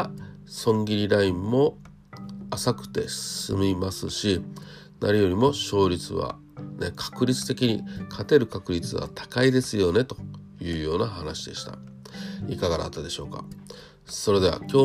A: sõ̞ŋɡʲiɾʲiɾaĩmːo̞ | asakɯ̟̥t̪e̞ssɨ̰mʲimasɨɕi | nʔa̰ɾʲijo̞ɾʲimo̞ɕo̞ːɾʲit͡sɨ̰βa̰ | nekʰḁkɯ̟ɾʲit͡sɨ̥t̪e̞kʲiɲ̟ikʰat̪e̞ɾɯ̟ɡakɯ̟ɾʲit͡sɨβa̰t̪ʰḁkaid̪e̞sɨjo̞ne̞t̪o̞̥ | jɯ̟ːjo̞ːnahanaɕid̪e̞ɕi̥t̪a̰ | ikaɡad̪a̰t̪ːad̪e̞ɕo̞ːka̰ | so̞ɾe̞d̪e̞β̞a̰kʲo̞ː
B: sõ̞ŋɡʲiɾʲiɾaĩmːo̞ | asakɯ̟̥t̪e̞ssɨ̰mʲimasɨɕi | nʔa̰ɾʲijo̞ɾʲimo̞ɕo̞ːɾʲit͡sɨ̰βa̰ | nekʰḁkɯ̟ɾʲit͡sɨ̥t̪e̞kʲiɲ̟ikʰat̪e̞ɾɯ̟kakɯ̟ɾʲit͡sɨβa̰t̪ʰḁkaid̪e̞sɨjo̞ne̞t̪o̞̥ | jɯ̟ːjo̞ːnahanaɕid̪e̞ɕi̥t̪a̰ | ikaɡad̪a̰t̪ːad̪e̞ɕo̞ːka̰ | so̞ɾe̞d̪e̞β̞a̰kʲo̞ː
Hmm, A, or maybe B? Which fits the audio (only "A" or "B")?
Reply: B